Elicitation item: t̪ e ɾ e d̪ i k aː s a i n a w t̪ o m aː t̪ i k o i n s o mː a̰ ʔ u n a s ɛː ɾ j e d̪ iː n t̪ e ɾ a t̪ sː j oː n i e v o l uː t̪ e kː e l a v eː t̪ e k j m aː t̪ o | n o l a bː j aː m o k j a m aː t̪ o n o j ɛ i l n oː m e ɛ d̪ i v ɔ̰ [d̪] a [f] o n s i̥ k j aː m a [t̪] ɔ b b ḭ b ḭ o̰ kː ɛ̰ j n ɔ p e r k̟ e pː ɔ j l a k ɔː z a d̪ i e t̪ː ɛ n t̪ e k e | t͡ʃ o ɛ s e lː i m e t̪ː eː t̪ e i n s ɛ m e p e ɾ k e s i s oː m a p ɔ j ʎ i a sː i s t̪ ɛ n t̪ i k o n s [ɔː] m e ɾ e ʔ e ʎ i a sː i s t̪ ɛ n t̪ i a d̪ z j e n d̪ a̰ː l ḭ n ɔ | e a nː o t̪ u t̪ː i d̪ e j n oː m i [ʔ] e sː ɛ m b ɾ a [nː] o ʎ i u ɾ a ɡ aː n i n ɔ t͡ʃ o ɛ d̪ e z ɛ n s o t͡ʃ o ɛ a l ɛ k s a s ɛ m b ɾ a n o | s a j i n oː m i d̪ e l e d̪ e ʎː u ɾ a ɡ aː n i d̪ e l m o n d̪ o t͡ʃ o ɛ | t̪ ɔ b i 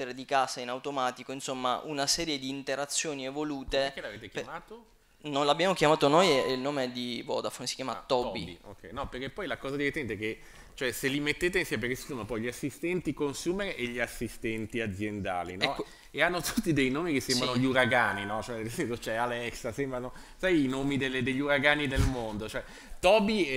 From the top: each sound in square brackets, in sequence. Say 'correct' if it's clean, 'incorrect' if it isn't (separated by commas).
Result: correct, correct, correct, incorrect, incorrect, incorrect